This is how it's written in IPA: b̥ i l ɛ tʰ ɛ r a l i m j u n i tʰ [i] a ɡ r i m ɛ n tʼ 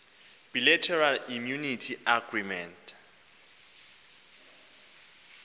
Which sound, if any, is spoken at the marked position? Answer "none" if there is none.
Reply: i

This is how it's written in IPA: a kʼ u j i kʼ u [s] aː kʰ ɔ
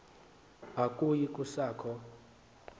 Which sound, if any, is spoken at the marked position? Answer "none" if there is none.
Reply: s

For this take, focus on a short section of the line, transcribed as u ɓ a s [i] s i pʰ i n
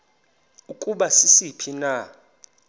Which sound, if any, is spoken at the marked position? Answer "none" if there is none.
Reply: i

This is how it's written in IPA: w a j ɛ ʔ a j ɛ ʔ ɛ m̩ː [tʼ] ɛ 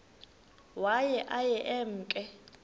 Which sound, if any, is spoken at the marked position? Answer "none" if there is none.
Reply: kʼ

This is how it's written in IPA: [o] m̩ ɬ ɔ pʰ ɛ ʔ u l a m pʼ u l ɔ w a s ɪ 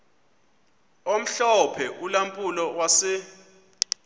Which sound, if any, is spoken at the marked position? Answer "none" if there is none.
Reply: o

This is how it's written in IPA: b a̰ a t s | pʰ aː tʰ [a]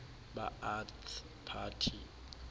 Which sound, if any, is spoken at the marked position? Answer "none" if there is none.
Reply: i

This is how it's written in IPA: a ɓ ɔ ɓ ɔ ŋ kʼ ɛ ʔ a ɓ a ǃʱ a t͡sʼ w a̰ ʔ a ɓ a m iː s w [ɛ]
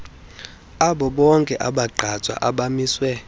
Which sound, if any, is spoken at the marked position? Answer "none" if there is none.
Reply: ɛ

